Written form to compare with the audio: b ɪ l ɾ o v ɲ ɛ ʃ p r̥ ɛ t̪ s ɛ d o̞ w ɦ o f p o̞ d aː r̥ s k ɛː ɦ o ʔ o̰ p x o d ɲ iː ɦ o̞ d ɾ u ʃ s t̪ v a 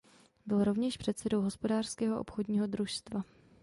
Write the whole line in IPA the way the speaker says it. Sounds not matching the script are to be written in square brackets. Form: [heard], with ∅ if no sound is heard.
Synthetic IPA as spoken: b ɪ l ɾ o v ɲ ɛ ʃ p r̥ ɛ t̪ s ɛ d o̞ w ɦ o [s] p o̞ d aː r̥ s k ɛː ɦ o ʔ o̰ p x o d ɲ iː ɦ o̞ d ɾ u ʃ s t̪ v a